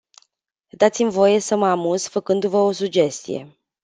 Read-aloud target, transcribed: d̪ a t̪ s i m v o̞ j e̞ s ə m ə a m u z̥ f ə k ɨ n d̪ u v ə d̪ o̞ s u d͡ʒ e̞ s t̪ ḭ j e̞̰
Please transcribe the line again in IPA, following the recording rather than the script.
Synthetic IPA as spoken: d̪ a t̪ s i m v o̞ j e̞ s ə m ə a m u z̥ f ə k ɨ n d̪ u v ə o̞ s u d͡ʒ e̞ s t̪ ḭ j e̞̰